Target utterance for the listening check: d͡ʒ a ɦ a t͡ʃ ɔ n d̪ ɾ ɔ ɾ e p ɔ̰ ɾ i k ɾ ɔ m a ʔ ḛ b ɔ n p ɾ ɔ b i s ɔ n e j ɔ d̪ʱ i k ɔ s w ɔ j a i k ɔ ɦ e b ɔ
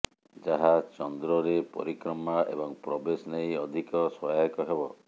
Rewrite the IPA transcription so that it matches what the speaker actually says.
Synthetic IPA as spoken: d͡ʒ a ɦ a t͡ʃ ɔ n d̪ ɾ ɔ ɾ e p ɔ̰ ɾ i k ɾ ɔ m a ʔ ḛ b ɔ ŋ p ɾ ɔ b e s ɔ n e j ɔ d̪ʱ i k ɔ s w ɔ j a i k ɔ ɦ e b ɔ